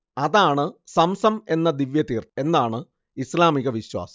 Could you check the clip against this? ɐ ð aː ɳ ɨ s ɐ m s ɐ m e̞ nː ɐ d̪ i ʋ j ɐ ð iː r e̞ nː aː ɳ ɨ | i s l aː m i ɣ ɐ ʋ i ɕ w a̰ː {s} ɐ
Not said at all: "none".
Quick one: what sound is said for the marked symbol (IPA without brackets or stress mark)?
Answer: s